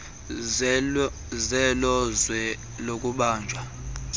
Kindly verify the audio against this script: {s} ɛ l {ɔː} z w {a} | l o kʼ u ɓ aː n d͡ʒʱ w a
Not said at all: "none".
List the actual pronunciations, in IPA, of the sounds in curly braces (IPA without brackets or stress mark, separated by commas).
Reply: z, ɔ, ɛ